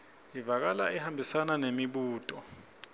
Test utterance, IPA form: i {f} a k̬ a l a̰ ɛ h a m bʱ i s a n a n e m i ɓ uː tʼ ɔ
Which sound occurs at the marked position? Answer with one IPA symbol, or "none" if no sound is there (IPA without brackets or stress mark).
v